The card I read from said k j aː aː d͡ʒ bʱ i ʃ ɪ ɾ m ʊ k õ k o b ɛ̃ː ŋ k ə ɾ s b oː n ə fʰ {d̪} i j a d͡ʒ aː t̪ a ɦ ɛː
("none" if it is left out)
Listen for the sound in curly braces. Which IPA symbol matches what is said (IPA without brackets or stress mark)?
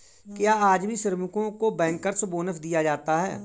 d̪